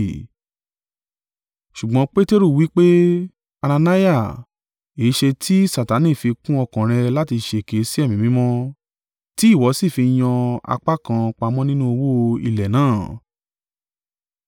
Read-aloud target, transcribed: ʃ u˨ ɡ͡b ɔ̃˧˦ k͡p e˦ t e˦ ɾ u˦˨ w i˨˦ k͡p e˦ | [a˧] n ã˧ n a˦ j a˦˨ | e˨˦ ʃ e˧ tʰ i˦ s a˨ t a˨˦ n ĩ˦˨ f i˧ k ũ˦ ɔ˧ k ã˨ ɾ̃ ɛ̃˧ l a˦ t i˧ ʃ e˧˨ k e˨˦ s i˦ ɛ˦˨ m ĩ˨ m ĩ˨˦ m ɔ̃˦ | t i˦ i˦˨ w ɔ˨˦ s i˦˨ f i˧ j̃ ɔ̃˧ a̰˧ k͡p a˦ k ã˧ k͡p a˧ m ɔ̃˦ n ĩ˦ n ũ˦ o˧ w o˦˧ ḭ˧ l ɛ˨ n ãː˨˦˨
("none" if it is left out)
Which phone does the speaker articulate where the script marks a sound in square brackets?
a˧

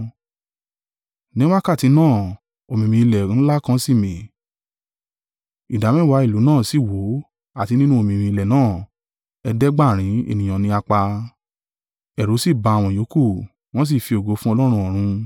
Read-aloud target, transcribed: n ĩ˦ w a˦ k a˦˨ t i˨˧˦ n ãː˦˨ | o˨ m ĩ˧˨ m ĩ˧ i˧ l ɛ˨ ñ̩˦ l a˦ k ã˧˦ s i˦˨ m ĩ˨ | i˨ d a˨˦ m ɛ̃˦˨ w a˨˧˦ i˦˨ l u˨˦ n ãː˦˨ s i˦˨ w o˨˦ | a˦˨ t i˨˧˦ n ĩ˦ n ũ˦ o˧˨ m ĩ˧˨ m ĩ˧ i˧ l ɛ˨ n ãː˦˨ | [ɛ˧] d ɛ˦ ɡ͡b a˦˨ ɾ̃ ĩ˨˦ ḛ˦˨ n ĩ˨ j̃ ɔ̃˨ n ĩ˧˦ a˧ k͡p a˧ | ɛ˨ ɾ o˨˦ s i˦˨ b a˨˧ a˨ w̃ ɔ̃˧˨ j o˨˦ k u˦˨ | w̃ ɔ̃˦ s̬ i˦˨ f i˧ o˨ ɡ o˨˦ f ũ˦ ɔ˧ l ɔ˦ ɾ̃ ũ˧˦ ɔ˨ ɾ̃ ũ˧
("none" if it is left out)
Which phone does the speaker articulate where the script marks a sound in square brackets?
ɛ˧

